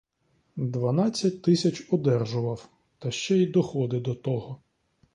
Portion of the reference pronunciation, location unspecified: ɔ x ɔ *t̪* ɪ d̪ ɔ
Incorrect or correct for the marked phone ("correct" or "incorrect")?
incorrect